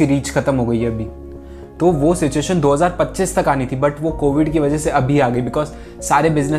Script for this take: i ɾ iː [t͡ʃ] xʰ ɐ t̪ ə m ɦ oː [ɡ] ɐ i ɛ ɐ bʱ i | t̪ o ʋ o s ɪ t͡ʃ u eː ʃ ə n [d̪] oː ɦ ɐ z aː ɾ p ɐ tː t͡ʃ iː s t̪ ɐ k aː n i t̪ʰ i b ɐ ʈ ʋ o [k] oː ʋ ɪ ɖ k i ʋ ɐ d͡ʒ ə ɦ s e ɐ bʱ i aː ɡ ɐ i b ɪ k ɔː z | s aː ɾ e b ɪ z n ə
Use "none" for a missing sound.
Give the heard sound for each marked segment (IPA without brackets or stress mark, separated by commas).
t͡ʃ, ɡ, d̪, k